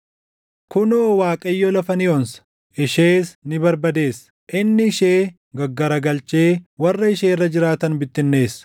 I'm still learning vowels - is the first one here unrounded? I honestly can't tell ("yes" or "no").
no